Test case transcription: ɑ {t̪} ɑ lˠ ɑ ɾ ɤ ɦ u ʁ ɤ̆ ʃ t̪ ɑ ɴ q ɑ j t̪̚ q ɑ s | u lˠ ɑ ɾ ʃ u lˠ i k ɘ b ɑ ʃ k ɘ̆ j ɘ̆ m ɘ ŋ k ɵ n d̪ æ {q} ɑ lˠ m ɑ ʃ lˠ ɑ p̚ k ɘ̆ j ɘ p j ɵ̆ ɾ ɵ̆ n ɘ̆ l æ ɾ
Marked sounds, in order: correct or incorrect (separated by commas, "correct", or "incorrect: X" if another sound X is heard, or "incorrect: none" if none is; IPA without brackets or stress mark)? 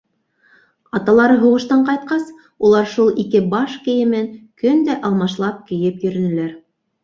correct, incorrect: ʔ